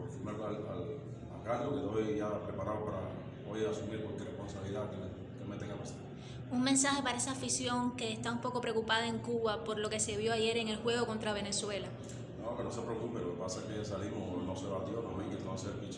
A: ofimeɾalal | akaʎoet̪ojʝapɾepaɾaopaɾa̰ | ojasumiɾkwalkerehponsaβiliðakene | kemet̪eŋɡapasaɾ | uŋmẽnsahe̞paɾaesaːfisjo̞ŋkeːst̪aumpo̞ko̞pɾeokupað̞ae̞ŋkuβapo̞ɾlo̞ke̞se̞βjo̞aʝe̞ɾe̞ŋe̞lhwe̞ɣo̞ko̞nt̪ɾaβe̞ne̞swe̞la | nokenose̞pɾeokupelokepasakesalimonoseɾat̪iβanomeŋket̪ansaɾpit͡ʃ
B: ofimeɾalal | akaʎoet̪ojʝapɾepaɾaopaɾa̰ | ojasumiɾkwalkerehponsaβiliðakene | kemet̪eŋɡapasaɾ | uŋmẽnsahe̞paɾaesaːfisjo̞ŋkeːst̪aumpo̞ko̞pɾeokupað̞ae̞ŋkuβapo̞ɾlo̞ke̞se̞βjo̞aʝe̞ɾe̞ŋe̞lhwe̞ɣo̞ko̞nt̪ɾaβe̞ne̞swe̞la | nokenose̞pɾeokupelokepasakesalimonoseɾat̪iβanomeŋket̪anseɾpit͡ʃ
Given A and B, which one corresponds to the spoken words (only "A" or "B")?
B